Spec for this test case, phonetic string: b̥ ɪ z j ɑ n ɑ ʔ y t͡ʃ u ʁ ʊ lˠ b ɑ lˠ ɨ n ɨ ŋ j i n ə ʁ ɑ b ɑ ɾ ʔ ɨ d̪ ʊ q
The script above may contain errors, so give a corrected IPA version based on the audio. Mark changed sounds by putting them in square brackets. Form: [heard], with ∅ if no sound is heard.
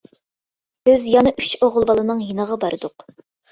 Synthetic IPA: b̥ ɪ z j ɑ n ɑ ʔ y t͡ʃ [o] ʁ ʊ lˠ b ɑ lˠ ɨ n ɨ ŋ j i n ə ʁ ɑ b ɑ ɾ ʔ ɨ d̪ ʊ q